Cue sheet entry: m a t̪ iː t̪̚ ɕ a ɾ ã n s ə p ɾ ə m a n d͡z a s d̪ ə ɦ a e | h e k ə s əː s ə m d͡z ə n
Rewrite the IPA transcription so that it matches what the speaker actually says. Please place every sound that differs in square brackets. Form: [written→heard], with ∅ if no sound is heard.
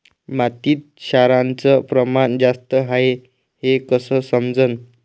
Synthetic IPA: m a t̪ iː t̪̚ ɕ a ɾ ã n [s→t͡s] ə p ɾ ə m a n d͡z a s [d̪→t̪] ə ɦ a e | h e k ə s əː s ə m d͡z ə n